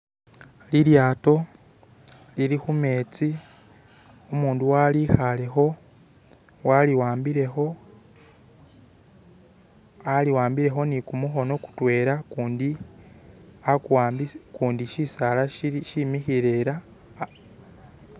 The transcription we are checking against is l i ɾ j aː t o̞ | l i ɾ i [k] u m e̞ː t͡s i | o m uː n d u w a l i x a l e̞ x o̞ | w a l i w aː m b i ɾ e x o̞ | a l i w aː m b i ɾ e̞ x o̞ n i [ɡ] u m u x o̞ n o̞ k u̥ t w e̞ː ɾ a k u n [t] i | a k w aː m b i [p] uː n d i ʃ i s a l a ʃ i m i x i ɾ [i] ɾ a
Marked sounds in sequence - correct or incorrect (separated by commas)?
incorrect, incorrect, incorrect, incorrect, incorrect